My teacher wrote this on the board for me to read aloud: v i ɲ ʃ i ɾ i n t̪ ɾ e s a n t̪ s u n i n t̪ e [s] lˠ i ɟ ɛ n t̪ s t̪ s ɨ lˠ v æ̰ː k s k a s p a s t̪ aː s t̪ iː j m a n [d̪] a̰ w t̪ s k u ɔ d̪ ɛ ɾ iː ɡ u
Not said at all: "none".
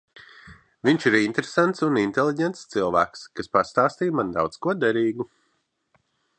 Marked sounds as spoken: none, d̪

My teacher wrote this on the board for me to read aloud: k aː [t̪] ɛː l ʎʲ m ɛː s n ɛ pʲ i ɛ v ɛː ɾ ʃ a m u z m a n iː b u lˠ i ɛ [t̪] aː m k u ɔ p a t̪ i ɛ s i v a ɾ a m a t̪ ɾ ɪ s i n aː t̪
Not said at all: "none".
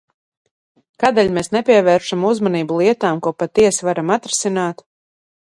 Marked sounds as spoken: d̪, t̪

